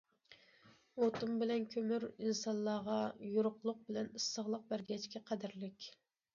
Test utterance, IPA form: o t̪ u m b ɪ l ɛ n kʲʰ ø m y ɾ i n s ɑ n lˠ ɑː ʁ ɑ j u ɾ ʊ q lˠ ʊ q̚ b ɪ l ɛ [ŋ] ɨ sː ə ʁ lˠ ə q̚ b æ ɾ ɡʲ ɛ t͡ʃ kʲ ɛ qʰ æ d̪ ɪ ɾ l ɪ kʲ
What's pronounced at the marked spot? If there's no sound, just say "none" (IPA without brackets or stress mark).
n